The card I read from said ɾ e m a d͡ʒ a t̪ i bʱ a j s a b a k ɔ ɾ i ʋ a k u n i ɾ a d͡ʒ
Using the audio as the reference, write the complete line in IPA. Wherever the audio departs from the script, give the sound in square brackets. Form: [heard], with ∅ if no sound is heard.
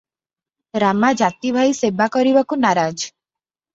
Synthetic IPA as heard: ɾ [a] m a d͡ʒ a t̪ i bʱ a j s [e] b a k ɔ ɾ i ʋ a k u n [a] ɾ a d͡ʒ